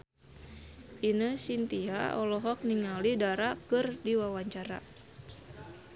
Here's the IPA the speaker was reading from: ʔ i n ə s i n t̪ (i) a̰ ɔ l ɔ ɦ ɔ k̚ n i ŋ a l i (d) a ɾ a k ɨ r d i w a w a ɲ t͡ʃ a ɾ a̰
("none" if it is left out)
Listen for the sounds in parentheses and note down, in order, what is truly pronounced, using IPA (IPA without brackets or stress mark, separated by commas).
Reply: i, d